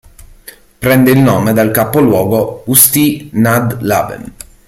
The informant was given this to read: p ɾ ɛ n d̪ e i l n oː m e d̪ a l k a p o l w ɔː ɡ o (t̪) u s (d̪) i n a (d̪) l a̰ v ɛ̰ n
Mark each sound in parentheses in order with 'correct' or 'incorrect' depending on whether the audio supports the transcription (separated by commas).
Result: incorrect, incorrect, correct